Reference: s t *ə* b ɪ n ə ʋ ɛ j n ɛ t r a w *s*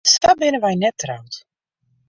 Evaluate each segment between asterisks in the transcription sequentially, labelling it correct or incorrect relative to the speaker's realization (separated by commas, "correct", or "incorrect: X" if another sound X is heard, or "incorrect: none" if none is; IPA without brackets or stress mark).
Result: incorrect: a, incorrect: t